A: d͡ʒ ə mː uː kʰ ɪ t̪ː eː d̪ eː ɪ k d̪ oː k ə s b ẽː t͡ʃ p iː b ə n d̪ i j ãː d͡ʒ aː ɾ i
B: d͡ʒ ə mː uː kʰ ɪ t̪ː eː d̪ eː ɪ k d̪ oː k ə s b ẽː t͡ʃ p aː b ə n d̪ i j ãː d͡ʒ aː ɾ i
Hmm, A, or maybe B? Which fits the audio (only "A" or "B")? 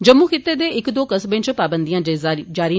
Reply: B